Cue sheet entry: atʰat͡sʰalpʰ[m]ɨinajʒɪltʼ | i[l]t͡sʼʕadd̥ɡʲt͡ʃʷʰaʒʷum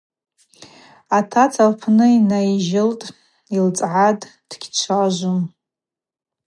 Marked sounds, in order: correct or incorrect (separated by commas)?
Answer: incorrect, correct